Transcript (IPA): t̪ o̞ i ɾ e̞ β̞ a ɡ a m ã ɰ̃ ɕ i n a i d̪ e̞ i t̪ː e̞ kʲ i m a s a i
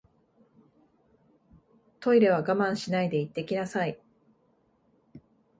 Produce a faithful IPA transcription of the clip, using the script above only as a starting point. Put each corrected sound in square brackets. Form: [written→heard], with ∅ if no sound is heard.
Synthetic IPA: t̪ o̞ i ɾ e̞ β̞ a ɡ a m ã ɰ̃ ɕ i n a i d̪ e̞ i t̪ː e̞ kʲ i [m→n] a s a i